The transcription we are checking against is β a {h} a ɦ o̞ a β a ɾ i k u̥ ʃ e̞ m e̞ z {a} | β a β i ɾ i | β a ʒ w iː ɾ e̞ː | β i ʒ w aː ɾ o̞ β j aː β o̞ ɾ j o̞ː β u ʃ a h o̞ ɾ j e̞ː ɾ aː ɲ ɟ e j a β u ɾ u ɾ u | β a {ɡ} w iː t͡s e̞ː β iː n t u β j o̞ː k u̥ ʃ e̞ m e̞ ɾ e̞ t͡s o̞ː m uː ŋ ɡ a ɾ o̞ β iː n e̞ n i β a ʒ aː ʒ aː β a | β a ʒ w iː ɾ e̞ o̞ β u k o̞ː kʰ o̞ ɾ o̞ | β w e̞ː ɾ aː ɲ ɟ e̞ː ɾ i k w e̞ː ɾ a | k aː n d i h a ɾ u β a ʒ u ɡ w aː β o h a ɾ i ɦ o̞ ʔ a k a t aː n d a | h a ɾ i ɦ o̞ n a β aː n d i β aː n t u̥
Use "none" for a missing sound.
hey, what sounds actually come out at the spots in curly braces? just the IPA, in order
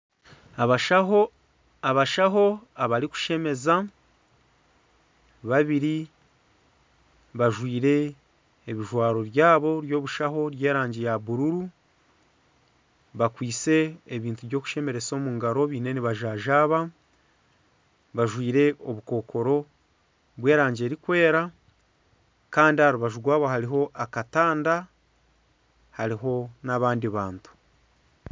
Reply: ʃ, a, k

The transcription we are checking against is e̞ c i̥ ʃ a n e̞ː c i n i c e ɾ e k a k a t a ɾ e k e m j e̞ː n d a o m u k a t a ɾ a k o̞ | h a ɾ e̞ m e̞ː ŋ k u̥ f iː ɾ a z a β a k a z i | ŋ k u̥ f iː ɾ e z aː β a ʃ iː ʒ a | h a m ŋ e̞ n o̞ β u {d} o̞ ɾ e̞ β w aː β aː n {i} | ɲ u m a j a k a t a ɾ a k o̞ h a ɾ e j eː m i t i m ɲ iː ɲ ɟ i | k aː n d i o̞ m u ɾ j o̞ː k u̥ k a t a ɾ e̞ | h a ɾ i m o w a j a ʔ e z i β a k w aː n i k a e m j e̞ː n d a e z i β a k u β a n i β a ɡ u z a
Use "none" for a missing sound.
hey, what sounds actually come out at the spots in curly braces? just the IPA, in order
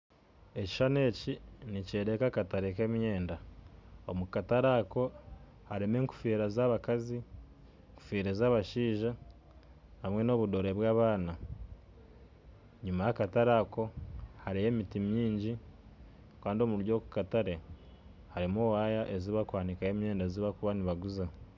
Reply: d, a

